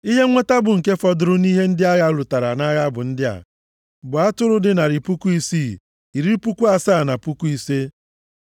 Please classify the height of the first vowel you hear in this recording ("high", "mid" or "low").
high